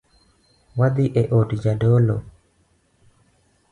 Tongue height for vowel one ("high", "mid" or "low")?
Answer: low